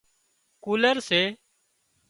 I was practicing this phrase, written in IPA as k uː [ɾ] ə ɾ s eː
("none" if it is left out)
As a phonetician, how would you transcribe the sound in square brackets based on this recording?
l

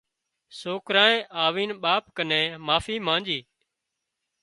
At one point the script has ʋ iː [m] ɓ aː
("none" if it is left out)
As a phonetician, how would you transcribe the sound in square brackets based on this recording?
n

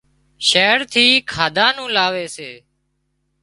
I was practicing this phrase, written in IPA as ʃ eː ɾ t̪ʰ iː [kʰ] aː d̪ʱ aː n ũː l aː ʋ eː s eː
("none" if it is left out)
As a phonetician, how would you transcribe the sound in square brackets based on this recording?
kʰ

